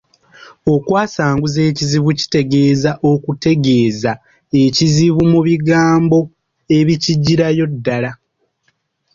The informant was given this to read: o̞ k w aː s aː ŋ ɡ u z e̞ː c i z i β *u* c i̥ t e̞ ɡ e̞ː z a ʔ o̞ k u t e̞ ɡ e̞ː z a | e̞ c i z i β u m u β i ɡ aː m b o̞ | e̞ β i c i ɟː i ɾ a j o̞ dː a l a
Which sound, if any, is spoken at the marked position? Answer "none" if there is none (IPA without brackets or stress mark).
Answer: u